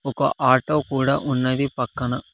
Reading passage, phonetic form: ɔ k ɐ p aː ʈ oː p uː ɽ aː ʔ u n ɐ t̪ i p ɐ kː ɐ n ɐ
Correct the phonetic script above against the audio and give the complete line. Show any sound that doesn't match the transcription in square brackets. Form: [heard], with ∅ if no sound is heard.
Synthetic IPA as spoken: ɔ k ɐ [ʔ] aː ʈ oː [k] uː ɽ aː ʔ u [nː] ɐ [d̪] i p ɐ kː ɐ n ɐ